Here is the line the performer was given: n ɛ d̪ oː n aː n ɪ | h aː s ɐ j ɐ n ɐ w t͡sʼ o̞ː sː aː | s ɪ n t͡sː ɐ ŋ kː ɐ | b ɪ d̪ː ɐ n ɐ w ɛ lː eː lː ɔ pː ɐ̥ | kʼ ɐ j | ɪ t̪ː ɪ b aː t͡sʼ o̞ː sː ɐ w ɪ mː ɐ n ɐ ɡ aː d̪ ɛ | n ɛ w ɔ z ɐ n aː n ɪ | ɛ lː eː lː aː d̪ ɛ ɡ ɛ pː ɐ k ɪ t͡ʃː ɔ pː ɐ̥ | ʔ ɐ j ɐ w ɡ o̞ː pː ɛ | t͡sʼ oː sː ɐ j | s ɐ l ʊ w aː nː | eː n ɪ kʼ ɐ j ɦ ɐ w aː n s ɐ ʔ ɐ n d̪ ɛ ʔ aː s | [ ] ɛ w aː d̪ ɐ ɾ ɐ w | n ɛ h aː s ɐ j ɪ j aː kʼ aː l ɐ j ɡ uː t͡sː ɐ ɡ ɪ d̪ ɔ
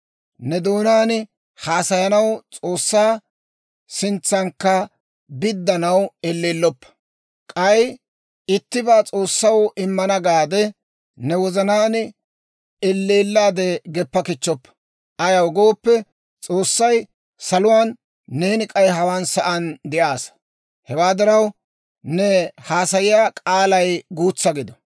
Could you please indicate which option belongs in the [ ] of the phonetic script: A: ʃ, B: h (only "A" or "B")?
B